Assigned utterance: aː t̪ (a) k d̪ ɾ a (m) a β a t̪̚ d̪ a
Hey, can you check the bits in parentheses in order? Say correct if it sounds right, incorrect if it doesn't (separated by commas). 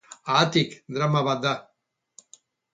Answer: incorrect, correct